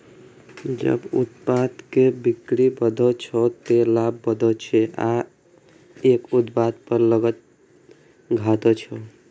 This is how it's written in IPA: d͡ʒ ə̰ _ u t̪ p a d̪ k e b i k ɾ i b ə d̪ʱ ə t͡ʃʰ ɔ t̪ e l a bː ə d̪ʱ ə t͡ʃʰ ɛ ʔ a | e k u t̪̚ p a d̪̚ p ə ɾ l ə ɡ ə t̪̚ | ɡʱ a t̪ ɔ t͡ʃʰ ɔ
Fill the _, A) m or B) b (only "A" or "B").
B